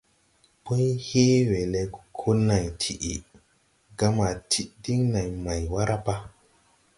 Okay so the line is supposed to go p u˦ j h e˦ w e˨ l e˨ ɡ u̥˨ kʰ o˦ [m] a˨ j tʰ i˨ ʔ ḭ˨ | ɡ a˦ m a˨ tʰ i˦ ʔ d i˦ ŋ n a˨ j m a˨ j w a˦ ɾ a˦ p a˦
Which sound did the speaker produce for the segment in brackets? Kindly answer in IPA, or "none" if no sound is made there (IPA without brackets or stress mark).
n